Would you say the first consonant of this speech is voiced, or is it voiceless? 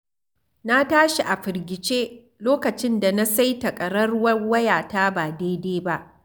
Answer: voiced